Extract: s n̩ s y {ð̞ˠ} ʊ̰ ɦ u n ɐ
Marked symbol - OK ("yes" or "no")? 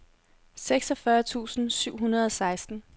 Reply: no